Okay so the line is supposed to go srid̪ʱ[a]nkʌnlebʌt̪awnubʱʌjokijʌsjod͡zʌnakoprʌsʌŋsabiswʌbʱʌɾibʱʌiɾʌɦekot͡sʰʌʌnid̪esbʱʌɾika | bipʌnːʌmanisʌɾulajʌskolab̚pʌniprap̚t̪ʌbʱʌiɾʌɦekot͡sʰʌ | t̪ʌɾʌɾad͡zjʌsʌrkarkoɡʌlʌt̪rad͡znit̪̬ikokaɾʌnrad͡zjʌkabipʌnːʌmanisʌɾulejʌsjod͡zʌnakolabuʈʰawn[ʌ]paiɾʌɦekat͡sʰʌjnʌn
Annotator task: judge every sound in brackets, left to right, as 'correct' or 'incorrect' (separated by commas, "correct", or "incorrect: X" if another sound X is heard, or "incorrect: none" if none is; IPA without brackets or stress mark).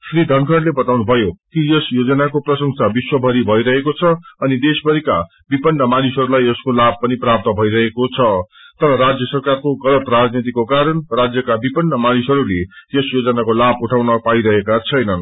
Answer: incorrect: ʌ, correct